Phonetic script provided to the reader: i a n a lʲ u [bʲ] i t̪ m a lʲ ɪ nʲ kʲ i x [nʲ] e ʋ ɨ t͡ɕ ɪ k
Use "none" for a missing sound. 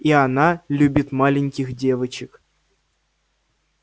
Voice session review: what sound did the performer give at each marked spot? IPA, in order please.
bʲ, dʲ

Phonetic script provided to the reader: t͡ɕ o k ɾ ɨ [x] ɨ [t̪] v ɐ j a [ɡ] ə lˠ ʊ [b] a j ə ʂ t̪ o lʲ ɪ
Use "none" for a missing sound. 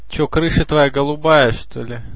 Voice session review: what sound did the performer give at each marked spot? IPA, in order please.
ʂ, t̪, ɡ, b

